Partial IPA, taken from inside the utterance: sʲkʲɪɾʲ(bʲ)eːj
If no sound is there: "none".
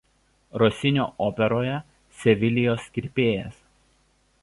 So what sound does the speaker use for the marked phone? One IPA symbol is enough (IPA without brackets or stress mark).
pʲ